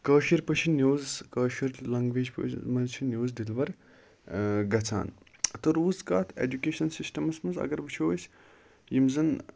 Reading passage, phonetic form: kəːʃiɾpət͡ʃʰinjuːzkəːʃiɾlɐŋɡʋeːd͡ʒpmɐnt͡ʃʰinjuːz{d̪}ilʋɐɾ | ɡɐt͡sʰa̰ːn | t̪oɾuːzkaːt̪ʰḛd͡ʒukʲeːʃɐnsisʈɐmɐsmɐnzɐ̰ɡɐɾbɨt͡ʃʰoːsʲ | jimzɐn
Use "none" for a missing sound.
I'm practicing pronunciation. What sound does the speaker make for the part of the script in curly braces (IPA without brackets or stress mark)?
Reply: d̪